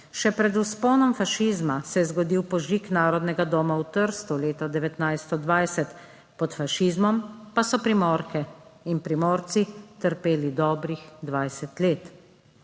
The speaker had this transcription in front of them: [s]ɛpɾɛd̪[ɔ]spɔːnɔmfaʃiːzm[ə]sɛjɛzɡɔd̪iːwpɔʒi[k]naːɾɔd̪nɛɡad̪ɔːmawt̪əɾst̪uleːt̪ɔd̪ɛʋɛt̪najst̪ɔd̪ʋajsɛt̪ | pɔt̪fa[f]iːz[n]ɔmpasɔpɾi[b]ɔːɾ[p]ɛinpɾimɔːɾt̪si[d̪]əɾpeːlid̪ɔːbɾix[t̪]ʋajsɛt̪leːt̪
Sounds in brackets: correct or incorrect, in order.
incorrect: ʃ, incorrect: u, incorrect: a, correct, incorrect: ʃ, incorrect: m, incorrect: m, incorrect: k, incorrect: t̪, incorrect: d̪

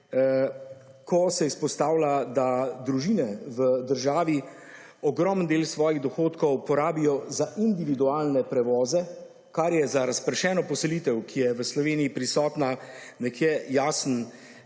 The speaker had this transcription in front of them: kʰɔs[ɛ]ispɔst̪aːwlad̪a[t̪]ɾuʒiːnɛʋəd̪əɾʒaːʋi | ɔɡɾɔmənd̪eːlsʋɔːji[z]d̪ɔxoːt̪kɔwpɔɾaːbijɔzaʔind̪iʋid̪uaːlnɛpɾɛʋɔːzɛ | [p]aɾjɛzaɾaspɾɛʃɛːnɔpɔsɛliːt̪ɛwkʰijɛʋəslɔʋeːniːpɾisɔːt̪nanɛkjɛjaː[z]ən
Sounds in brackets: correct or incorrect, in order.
correct, incorrect: d̪, incorrect: ɣ, incorrect: k, incorrect: s

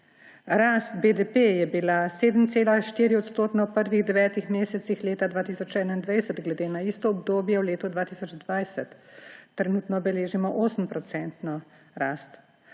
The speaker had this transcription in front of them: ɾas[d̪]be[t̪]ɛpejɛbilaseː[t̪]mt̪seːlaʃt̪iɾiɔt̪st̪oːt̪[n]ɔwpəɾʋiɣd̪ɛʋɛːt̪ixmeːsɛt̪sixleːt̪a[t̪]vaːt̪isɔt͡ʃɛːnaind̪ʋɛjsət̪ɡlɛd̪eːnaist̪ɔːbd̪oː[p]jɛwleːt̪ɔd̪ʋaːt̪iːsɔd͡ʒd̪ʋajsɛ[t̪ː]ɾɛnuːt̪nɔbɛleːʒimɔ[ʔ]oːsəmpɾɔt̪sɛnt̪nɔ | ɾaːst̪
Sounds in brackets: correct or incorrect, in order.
incorrect: t̪, incorrect: d̪, incorrect: d̪, correct, incorrect: d̪, incorrect: b, correct, correct

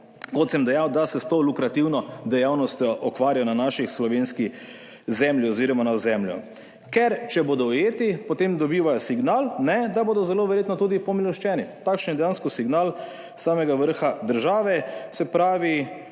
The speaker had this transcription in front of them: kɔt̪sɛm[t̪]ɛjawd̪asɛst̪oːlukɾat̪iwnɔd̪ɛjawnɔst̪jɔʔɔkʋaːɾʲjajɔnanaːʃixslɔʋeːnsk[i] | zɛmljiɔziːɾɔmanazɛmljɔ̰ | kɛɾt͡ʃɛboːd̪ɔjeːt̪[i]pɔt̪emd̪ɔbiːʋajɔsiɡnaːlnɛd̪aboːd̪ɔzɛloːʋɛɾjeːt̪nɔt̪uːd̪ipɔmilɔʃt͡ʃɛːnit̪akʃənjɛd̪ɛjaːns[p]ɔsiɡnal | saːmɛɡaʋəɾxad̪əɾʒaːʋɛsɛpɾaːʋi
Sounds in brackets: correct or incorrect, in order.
incorrect: d̪, correct, correct, incorrect: k

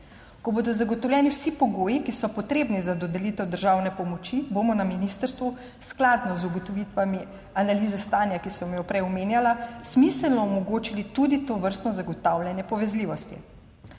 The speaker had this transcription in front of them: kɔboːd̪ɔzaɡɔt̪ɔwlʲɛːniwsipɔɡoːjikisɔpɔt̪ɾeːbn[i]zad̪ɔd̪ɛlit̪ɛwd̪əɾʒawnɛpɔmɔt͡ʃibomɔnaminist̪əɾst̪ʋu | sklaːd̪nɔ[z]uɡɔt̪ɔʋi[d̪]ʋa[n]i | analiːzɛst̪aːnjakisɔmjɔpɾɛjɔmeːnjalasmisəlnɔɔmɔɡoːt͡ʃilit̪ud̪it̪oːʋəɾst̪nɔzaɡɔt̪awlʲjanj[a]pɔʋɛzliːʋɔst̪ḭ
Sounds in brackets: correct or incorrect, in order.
correct, correct, incorrect: t̪, incorrect: m, incorrect: ɛ

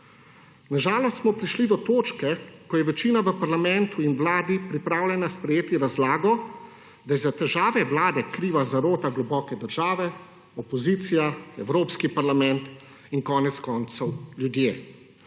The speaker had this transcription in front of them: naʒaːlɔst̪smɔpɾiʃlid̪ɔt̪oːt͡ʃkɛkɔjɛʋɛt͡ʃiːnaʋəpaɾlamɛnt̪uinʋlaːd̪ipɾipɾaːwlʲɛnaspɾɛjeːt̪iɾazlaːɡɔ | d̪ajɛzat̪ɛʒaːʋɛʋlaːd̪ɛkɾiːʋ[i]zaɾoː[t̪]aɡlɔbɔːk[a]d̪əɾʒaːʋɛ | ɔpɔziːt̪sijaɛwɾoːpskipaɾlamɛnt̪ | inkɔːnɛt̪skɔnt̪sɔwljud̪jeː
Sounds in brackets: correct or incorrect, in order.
incorrect: a, correct, incorrect: ɛ

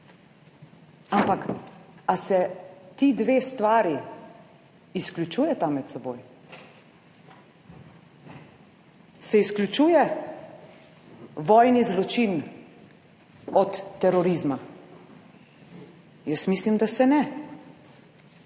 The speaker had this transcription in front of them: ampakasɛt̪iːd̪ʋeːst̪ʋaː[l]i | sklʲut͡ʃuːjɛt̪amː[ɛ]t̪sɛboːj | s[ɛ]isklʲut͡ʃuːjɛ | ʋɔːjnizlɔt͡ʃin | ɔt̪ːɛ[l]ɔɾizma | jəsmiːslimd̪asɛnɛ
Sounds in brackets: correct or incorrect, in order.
incorrect: ɾ, correct, correct, incorrect: ɾ

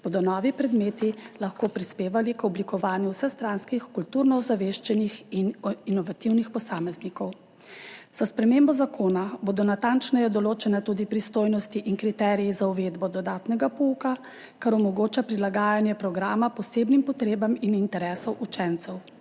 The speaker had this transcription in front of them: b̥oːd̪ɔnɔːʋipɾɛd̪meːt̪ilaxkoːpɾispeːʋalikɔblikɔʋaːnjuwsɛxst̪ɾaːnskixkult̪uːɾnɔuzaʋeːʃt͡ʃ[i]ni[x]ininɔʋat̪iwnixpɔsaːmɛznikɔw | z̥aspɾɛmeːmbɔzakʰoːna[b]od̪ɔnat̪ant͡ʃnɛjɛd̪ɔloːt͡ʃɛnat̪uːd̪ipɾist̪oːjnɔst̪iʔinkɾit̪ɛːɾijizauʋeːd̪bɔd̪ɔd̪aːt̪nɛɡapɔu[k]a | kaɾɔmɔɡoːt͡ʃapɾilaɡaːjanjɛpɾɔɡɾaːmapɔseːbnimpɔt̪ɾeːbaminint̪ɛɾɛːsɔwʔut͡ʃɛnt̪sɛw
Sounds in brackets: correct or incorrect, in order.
incorrect: ɛ, correct, correct, correct

